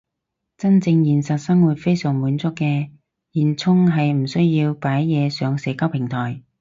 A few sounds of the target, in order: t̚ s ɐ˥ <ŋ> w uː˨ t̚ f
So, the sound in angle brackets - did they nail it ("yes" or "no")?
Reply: yes